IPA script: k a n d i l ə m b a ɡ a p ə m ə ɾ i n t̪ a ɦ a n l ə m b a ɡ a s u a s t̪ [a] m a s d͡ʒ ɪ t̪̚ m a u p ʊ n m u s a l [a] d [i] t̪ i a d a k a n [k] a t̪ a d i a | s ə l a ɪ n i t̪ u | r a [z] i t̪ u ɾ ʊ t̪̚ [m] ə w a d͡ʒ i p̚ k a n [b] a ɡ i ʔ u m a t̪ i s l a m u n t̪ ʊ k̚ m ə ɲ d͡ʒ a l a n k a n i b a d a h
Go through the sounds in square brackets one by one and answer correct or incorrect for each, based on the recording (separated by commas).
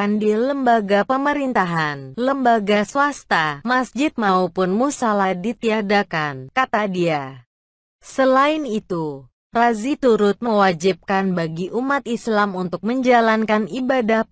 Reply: correct, correct, correct, correct, correct, correct, correct